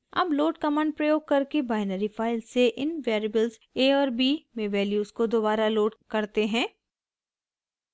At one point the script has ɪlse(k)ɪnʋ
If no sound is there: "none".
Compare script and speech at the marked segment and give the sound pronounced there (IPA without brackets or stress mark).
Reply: ʔ